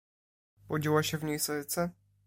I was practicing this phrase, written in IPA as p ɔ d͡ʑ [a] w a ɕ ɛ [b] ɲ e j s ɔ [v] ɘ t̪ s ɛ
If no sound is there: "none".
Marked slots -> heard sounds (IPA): i, v, none

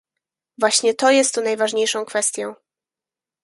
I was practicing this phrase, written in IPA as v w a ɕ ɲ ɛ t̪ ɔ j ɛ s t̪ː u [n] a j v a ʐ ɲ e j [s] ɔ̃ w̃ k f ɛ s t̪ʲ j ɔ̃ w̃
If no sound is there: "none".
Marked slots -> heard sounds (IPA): n, ʂ

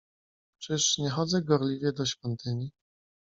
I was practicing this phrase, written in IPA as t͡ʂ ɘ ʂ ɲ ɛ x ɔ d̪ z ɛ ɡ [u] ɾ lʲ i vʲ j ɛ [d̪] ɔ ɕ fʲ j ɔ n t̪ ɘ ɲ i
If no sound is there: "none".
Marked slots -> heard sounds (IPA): ɔ, d̪

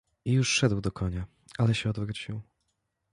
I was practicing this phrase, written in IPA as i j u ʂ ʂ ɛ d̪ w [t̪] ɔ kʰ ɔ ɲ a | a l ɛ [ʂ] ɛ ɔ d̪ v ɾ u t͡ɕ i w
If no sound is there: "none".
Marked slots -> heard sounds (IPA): d̪, ɕ

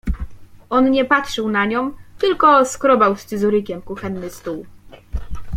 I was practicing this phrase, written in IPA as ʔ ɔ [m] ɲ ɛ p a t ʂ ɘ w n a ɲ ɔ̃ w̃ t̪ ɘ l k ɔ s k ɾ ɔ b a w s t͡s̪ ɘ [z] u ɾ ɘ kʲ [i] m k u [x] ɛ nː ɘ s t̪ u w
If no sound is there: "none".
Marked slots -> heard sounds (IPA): n, z, ɛ, x

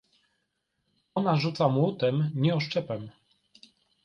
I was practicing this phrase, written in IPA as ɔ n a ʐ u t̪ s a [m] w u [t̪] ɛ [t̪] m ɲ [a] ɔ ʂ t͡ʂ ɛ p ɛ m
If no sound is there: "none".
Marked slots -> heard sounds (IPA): m, t̪, none, ɛ

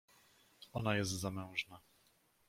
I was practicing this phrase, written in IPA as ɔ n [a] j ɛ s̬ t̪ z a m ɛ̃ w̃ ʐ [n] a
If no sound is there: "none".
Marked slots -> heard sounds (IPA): a, n

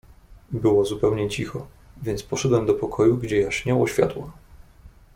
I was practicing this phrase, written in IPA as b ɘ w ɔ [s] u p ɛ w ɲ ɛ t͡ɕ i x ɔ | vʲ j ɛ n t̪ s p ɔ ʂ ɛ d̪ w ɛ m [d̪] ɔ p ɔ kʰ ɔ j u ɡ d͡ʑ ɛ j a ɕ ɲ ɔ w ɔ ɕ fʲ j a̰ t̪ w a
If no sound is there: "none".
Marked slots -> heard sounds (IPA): z, d̪

